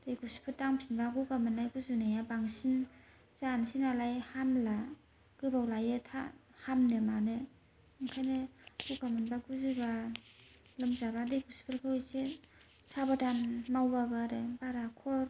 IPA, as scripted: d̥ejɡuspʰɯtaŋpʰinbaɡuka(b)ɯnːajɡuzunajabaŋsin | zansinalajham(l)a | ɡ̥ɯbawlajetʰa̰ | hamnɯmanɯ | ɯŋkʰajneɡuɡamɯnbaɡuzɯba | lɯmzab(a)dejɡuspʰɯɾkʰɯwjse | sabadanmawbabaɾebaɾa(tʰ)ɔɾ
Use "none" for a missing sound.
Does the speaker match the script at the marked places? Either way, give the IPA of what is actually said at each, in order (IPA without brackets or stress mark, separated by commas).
m, l, a, kʰ